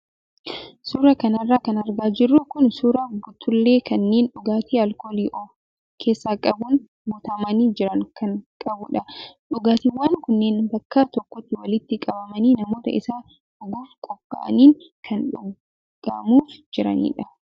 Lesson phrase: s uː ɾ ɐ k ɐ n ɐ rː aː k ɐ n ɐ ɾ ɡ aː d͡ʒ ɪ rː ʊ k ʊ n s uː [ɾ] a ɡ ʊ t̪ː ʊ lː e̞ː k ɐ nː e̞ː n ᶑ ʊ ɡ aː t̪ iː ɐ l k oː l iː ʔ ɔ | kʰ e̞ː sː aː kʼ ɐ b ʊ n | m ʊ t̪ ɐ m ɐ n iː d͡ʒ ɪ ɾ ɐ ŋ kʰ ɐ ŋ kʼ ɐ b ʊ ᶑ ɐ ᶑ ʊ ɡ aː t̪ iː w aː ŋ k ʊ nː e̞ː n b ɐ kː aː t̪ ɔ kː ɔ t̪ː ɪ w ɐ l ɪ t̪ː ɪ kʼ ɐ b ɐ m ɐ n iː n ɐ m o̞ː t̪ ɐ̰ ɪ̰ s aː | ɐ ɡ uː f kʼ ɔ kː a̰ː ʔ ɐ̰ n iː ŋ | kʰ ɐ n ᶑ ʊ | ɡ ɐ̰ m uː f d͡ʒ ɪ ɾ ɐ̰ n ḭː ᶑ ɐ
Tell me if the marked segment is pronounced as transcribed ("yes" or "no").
yes